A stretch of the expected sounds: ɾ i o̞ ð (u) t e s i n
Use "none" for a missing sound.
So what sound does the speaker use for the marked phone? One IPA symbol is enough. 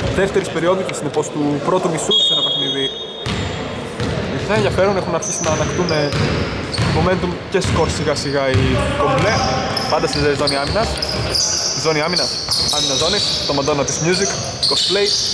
u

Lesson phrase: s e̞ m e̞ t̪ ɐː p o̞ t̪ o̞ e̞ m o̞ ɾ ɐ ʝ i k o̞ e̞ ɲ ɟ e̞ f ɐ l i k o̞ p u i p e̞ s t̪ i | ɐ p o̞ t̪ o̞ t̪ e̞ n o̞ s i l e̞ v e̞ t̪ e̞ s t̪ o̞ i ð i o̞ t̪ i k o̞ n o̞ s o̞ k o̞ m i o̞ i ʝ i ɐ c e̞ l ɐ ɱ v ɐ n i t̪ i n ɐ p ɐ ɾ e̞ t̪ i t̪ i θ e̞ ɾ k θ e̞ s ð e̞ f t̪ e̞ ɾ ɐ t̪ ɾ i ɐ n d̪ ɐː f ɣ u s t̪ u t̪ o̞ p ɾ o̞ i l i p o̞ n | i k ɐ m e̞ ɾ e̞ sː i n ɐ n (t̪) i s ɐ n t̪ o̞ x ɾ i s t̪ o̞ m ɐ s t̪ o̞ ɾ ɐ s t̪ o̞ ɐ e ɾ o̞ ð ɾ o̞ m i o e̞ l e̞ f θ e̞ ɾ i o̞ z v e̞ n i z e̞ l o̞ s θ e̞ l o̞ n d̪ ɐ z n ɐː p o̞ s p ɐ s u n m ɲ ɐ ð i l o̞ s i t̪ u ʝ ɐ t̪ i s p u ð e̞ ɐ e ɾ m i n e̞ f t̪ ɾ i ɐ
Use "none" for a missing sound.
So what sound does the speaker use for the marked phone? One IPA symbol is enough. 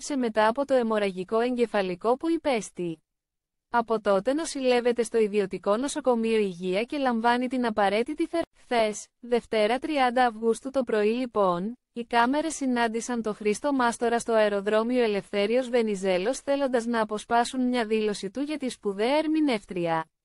d̪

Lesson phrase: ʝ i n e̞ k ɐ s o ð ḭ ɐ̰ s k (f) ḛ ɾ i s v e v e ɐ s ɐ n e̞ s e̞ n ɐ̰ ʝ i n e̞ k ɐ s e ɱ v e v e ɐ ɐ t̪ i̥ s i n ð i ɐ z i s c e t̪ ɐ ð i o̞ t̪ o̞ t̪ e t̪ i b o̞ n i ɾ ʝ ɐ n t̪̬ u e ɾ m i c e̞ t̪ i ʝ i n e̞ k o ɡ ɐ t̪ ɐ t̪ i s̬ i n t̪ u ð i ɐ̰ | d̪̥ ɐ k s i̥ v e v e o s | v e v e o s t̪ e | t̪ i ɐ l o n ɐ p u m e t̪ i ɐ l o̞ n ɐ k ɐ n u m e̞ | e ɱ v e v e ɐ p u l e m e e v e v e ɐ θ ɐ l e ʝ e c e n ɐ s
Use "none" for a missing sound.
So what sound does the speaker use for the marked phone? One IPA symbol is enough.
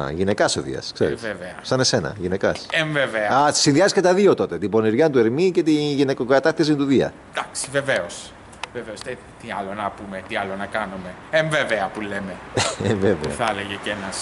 s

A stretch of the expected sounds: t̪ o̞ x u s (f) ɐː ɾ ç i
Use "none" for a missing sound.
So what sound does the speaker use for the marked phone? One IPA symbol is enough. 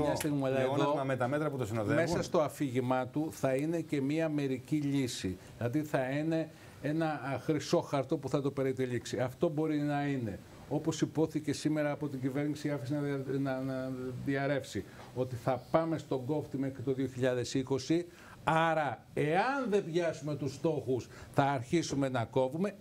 θ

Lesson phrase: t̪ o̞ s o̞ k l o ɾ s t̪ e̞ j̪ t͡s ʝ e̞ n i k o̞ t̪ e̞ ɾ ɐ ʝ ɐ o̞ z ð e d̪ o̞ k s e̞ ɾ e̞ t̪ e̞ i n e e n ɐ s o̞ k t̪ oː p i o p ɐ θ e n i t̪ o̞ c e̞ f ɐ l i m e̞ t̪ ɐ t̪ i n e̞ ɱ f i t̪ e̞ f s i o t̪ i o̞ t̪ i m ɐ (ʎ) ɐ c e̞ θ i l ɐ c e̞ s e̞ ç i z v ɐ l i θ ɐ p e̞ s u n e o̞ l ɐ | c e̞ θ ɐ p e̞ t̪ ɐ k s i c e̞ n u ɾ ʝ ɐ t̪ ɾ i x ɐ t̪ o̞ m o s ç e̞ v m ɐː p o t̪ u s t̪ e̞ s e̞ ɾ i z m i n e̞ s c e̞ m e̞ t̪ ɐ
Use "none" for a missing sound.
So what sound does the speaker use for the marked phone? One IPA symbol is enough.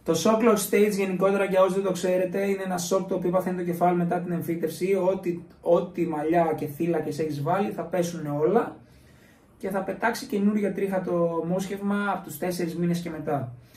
ʎ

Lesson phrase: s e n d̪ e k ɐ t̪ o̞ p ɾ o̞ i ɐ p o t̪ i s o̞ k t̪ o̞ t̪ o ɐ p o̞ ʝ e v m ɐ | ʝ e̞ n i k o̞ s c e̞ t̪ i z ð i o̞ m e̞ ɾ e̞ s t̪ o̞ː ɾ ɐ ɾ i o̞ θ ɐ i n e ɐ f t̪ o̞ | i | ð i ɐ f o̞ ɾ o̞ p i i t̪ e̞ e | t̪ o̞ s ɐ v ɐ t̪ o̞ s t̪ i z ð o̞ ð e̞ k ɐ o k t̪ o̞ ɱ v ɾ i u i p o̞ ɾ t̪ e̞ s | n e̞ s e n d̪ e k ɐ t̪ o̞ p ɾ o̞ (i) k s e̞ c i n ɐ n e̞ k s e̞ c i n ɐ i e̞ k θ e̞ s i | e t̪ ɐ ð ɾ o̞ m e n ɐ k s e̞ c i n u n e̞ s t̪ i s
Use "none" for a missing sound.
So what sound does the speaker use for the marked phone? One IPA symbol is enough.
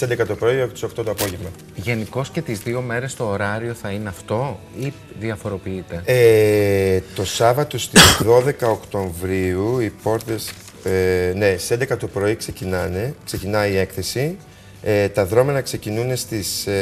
i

